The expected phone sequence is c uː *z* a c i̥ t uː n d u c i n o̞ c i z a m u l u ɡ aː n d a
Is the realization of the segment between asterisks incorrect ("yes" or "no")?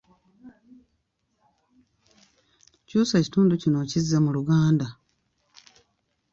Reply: yes